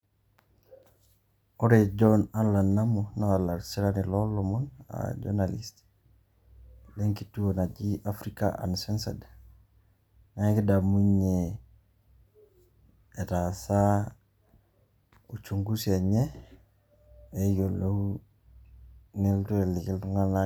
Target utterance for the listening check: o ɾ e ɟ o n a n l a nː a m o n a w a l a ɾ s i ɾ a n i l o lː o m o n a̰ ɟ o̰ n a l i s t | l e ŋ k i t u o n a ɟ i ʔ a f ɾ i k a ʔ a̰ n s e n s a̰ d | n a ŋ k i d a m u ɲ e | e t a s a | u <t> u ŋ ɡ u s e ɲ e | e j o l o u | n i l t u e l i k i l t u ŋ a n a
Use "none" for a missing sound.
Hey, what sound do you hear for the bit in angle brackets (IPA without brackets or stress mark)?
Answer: t͡ʃ